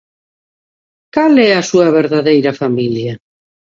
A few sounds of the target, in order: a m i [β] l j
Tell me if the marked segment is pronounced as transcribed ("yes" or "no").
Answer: no